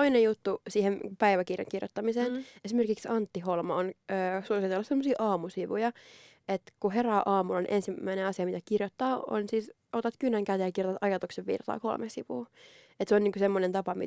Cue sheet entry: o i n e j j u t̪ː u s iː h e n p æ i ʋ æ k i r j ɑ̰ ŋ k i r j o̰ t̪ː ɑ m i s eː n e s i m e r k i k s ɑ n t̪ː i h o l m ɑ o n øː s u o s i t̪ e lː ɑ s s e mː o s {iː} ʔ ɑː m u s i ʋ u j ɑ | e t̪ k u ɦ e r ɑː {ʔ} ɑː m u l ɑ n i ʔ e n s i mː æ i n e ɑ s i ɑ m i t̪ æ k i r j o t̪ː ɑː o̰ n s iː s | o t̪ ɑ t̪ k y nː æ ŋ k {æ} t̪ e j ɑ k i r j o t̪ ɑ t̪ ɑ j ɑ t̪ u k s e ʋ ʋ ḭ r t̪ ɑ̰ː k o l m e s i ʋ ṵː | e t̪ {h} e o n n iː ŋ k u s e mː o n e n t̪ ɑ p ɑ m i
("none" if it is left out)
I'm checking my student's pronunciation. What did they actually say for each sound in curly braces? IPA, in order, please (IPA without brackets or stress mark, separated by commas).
iː, ʔ, æ, s